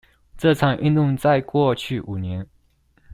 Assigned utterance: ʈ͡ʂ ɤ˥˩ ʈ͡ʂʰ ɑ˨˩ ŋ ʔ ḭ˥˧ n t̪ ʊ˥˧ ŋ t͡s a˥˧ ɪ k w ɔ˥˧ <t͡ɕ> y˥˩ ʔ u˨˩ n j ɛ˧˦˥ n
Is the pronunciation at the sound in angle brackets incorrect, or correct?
incorrect: t͡ɕʰ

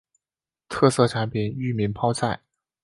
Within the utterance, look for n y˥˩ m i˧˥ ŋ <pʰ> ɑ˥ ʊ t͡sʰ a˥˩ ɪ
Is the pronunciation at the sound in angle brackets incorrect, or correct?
correct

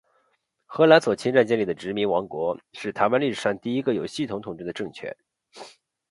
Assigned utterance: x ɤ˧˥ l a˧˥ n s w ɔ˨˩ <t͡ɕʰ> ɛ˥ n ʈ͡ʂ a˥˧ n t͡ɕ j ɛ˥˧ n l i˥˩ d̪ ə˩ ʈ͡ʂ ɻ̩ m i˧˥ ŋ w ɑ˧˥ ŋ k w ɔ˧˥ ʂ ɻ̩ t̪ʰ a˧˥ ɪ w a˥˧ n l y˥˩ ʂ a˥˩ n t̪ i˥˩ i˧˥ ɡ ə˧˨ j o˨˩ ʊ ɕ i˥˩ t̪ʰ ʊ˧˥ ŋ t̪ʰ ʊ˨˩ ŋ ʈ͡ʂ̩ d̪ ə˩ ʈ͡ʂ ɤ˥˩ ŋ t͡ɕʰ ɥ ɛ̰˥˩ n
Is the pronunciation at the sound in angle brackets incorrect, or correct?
correct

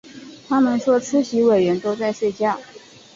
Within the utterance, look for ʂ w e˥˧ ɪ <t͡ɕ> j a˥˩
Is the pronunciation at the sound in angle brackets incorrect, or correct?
correct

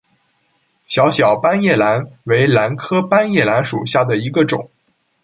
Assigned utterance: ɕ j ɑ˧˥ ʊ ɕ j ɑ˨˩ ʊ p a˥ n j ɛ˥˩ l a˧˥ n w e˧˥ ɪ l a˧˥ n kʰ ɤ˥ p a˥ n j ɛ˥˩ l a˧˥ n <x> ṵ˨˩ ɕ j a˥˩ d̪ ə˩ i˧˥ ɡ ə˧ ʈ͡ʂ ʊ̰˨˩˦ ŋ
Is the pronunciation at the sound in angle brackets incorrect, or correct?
incorrect: ʂ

